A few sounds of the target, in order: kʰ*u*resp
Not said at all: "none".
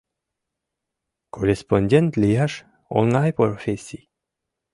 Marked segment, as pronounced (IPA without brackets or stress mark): o